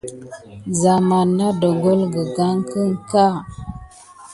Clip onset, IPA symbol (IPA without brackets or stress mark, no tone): z